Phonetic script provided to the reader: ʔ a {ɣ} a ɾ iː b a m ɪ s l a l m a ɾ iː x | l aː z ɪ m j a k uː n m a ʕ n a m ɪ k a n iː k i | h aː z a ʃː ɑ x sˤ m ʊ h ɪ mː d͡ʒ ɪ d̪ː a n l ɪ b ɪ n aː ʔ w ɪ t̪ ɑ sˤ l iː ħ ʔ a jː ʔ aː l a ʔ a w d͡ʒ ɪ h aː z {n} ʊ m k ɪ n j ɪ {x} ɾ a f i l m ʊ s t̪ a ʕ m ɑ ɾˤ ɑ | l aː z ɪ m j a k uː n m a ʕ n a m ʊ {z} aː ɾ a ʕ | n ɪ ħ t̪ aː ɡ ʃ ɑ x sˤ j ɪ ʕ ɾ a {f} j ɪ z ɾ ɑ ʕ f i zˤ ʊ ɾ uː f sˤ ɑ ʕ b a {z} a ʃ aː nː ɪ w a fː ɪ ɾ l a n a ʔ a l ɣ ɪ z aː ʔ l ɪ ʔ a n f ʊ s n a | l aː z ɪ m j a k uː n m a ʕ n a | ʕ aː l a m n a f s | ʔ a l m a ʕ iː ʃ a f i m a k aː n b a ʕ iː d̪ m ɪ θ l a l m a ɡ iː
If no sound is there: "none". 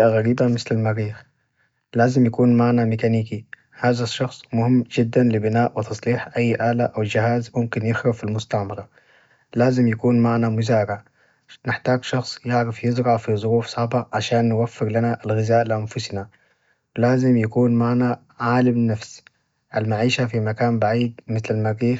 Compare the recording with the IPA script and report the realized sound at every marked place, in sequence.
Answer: ɣ, m, x, z, f, ʕ

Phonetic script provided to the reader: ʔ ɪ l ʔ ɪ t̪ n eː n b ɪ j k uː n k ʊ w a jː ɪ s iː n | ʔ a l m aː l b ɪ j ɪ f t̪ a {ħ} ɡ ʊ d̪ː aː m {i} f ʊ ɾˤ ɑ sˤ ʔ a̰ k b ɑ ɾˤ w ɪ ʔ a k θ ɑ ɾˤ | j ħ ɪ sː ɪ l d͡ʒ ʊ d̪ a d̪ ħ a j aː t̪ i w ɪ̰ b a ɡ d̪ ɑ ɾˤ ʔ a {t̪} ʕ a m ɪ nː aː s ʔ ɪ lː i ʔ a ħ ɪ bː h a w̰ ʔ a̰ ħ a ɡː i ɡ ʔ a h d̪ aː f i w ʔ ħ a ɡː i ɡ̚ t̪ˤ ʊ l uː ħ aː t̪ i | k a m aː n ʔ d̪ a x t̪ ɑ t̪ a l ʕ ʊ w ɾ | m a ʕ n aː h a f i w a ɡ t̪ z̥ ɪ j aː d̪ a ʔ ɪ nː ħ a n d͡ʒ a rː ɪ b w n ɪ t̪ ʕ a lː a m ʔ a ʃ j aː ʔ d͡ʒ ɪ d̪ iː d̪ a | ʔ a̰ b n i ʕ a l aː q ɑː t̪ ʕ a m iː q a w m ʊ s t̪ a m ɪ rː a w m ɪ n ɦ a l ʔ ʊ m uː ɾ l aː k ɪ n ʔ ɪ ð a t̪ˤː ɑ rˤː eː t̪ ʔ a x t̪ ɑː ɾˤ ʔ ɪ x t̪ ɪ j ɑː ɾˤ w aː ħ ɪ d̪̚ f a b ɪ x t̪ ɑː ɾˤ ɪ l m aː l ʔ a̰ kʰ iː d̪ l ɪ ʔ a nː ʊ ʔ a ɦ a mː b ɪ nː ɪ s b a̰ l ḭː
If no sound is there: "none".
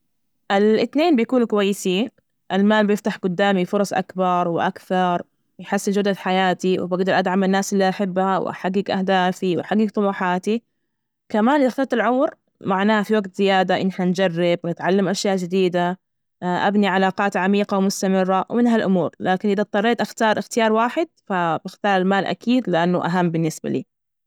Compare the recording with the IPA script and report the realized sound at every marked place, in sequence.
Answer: ħ, i, d̪

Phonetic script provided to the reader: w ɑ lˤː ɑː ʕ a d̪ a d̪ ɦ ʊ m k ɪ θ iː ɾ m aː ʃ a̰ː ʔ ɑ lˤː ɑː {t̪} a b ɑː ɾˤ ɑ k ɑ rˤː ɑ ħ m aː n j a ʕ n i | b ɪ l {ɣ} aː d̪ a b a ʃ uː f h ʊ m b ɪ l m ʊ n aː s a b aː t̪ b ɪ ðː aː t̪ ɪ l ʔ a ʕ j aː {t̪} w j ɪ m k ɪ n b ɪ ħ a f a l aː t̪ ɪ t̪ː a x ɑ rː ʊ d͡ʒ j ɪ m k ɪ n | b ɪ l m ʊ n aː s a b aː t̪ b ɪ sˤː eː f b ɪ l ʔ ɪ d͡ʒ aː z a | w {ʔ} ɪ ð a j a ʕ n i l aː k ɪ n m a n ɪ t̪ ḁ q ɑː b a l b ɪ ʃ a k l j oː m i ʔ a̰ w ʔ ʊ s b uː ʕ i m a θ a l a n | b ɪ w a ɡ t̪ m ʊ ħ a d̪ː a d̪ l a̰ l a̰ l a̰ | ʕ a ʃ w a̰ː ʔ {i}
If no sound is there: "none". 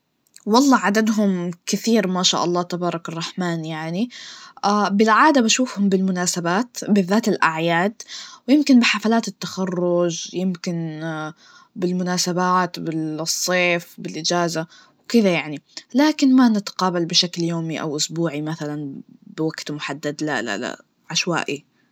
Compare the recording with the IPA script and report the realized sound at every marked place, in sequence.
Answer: t̪, ʕ, d̪, k, i

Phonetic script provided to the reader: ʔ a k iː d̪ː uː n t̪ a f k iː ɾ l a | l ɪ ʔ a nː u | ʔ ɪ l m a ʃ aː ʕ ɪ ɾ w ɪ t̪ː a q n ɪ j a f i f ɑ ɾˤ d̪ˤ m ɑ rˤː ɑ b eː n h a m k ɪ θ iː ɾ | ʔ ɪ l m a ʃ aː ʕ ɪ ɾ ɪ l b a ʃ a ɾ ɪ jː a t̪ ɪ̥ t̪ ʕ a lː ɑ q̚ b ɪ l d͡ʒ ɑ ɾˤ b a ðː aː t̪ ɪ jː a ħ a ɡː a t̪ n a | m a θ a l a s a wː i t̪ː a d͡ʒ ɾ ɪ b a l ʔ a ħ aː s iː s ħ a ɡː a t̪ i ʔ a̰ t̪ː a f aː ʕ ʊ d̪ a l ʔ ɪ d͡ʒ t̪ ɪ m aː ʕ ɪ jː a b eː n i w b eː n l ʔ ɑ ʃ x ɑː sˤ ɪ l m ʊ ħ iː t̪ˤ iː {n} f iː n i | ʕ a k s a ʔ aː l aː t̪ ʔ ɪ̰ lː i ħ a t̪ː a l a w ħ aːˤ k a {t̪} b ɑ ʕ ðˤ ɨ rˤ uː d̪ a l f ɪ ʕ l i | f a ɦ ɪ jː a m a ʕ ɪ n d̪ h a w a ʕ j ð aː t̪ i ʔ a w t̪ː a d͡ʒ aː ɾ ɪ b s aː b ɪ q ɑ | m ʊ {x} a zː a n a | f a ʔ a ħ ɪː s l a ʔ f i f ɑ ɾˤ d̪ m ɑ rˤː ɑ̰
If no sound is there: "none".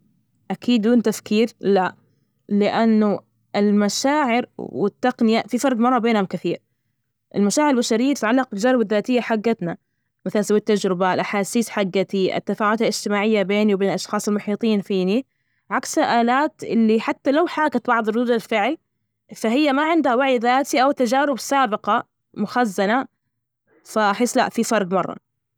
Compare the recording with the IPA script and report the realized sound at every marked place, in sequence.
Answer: n, t̪, x

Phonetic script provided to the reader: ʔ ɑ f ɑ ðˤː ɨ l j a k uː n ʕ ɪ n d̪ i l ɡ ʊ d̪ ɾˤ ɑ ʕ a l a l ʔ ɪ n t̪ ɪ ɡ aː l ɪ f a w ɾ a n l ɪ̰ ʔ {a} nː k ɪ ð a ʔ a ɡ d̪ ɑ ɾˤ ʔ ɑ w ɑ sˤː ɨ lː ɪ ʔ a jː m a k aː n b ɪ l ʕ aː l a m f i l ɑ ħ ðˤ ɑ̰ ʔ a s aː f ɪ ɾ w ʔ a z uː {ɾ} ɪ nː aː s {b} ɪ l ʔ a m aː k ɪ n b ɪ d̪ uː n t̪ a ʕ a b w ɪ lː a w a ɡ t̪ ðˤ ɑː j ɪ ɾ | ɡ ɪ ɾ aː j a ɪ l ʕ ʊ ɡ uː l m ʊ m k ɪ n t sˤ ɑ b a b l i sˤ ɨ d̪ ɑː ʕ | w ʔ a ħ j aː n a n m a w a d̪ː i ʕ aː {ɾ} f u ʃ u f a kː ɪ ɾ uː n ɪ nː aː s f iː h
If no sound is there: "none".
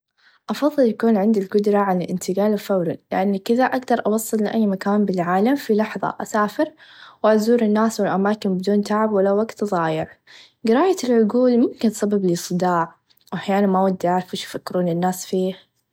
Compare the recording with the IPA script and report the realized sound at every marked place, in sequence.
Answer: a, ɾ, w, ɾ

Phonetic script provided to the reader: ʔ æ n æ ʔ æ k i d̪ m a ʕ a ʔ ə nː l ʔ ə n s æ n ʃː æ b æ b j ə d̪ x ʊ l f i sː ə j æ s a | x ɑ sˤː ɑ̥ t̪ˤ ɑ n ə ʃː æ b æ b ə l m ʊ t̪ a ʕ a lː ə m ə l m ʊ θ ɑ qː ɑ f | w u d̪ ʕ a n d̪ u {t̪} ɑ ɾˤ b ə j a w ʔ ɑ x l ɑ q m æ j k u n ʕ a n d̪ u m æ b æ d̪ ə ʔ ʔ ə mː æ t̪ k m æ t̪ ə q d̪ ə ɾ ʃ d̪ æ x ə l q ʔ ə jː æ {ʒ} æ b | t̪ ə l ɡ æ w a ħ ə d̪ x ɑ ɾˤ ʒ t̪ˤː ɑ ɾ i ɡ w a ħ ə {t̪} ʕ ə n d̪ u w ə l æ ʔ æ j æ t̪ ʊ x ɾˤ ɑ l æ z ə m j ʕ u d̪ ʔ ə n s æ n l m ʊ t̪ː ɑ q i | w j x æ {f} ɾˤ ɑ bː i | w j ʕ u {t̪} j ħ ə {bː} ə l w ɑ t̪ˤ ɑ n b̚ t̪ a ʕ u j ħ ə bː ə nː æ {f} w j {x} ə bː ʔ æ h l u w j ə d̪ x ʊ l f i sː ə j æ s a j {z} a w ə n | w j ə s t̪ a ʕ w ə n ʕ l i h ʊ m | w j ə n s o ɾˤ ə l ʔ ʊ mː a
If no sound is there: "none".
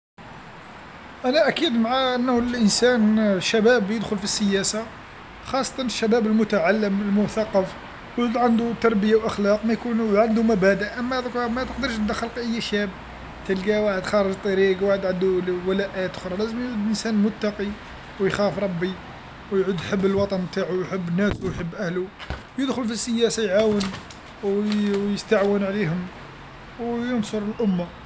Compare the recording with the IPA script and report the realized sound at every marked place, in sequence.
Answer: t̪, ʃ, d̪, f, d̪, bː, s, ħ, ʕ

